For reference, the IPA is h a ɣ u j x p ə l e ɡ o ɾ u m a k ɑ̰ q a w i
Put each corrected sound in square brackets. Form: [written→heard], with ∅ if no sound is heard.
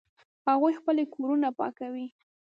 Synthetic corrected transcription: h a ɣ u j x p ə l e [ɡ→k] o ɾ u [m→n] a [k→p] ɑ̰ [q→k] a w i